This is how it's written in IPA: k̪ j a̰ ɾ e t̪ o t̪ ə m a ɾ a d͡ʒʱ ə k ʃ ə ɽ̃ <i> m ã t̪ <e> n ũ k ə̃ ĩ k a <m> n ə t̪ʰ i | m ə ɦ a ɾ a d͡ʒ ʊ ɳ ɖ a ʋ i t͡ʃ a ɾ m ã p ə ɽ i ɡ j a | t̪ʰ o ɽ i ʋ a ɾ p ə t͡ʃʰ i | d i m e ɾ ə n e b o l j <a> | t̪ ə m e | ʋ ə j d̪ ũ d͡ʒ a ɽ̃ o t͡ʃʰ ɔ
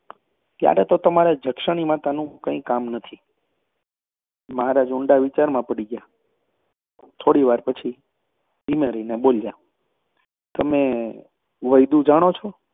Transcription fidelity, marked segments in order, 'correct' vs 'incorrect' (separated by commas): correct, incorrect, correct, correct